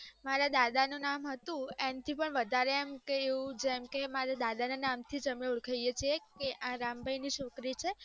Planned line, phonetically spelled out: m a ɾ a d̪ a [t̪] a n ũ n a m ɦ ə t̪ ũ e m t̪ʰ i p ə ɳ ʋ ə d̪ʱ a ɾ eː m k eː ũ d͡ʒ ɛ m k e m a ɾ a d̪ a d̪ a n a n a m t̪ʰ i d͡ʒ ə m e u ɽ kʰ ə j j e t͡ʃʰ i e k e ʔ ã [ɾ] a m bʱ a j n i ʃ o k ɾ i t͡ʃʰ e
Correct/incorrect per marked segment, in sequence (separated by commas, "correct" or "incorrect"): incorrect, correct